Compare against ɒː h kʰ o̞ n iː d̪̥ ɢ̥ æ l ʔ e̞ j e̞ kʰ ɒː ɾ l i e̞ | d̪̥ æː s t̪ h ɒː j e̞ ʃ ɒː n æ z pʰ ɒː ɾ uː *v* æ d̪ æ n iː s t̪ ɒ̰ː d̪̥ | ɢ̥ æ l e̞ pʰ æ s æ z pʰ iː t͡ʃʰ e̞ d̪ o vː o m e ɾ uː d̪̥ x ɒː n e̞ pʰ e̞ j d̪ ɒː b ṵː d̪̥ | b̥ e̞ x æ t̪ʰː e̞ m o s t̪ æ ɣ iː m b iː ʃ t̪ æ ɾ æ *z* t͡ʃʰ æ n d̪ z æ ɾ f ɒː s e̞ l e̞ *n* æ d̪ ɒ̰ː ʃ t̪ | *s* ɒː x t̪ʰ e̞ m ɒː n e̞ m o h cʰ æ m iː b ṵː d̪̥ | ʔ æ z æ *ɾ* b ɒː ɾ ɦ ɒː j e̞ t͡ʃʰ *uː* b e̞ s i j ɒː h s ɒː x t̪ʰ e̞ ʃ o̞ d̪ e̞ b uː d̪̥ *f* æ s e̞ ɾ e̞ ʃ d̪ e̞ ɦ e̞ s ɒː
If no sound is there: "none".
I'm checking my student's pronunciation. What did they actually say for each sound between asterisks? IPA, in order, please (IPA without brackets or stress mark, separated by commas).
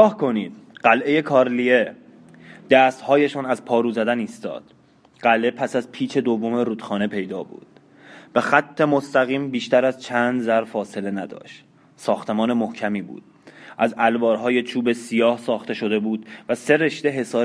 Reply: z, z, n, s, l, uː, v